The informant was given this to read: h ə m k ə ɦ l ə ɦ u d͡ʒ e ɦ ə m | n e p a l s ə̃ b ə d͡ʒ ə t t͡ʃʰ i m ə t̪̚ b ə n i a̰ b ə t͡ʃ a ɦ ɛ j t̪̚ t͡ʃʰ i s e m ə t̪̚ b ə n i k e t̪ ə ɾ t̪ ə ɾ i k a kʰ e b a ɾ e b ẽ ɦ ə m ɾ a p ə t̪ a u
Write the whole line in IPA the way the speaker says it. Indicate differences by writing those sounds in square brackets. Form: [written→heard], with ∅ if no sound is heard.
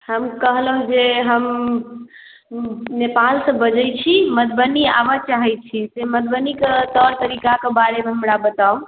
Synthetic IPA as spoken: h ə m k ə ɦ l ə ɦ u d͡ʒ e ɦ ə m | n e p a l s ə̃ b ə d͡ʒ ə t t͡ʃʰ i m ə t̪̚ b ə n i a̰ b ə t͡ʃ a ɦ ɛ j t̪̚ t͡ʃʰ i s e m ə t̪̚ b ə n i k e t̪ ə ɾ t̪ ə ɾ i k a [kʰ→k] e b a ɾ e [b→m] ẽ ɦ ə m ɾ a [p→b] ə t̪ a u